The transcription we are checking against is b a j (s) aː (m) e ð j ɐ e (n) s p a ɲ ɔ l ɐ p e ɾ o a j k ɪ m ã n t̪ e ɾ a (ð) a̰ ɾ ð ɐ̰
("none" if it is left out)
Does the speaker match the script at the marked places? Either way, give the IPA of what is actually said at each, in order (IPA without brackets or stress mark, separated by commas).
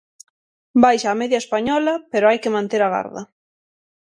ʃ, m, none, ɣ